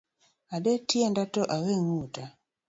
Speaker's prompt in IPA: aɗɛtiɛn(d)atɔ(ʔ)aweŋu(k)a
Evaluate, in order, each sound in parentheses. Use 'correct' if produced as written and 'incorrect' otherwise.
correct, correct, incorrect: t

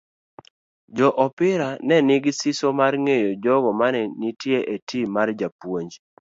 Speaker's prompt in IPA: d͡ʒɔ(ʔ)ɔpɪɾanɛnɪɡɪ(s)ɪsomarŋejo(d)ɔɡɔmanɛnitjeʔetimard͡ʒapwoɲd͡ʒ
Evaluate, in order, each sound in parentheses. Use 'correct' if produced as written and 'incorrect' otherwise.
correct, correct, incorrect: d͡ʒ

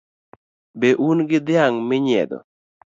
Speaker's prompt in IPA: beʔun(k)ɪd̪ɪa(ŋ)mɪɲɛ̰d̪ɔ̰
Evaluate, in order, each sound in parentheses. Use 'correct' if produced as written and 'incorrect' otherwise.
incorrect: ɡ, correct

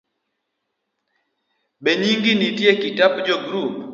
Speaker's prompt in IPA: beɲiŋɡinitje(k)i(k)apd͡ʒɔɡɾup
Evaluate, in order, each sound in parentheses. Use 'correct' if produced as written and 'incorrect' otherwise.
correct, incorrect: t

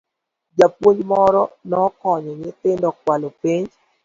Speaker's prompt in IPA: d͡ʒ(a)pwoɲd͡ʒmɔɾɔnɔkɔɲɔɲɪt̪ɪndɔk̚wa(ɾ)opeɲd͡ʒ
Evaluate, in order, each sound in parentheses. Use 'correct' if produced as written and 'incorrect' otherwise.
correct, incorrect: l

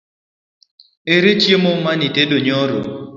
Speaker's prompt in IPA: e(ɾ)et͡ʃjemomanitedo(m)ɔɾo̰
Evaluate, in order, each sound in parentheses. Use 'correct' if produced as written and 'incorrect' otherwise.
correct, incorrect: ɲ

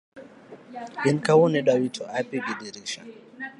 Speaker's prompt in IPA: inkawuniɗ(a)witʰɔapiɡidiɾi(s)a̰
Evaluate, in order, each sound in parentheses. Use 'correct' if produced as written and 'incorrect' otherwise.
correct, incorrect: ʃ

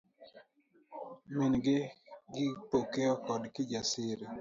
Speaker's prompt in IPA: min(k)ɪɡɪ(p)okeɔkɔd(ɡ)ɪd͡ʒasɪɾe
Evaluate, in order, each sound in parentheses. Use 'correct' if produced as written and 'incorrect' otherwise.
incorrect: ɡ, correct, incorrect: k

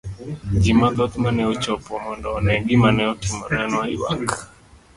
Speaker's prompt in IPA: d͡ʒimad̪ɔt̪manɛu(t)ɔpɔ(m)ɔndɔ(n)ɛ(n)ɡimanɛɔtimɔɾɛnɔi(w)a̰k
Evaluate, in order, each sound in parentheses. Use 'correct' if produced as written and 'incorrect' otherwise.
incorrect: t͡ʃ, correct, correct, incorrect: ŋ, correct

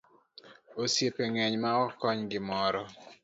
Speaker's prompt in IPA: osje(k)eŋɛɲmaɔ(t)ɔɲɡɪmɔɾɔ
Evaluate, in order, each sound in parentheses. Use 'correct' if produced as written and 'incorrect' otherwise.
incorrect: p, incorrect: k

